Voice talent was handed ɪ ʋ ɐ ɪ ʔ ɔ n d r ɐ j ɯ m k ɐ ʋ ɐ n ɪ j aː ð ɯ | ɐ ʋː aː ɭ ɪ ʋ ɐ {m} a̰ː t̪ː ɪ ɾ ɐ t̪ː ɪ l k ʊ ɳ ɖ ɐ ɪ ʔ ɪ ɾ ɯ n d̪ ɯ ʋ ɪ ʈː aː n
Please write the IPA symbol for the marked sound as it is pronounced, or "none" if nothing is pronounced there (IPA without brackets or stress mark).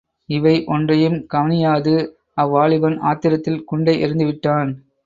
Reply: n